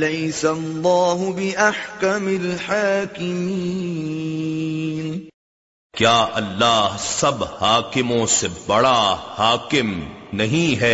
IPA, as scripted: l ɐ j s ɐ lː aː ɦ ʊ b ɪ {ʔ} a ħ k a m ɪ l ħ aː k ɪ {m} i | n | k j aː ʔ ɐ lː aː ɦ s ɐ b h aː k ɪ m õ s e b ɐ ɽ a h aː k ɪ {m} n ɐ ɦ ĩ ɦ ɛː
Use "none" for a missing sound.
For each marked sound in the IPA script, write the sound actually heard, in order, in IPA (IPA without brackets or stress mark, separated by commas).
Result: ʔ, m, m